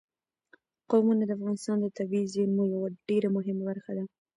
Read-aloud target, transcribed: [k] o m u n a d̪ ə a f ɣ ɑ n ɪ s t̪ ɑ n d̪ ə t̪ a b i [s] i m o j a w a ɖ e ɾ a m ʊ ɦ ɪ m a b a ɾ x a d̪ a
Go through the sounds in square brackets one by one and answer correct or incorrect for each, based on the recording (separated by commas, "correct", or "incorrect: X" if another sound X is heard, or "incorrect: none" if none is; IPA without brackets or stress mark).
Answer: incorrect: q, incorrect: z